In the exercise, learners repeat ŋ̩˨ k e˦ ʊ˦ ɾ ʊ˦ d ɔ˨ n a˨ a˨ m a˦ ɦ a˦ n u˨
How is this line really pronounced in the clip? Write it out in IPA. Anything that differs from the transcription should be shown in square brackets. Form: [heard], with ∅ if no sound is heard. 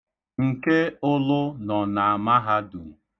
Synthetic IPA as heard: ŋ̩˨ k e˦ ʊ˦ [l] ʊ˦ [n] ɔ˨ n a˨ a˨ m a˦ ɦ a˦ [d] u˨